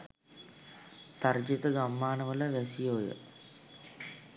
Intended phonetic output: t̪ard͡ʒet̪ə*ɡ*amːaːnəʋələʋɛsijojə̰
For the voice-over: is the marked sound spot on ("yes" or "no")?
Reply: yes